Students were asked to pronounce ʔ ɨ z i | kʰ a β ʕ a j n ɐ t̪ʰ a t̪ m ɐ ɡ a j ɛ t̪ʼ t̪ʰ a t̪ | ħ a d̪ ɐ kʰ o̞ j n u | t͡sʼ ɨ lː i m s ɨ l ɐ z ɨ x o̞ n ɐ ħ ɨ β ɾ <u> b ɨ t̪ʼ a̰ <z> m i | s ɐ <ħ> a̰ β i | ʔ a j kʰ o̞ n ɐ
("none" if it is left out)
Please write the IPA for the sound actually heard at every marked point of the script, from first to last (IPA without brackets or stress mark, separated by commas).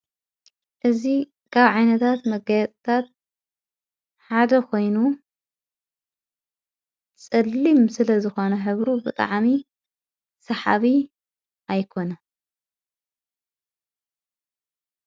u, ʕ, ħ